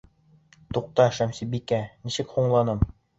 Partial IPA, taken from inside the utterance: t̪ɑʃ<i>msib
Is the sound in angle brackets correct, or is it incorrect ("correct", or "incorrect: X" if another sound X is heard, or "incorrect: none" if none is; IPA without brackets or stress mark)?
incorrect: æ